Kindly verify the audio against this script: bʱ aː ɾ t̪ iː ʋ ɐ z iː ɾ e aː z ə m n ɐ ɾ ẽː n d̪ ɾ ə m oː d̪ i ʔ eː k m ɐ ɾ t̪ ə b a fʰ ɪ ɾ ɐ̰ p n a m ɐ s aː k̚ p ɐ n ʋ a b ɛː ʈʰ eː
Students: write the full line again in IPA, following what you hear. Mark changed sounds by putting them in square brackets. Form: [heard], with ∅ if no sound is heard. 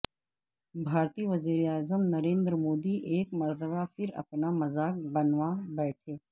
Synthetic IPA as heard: bʱ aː ɾ t̪ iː ʋ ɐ z iː ɾ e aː z ə m n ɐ ɾ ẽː n d̪ ɾ ə m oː d̪ i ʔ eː k m ɐ ɾ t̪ ə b a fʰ ɪ ɾ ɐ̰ p n a m ɐ [z] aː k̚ [b] ɐ n ʋ a b ɛː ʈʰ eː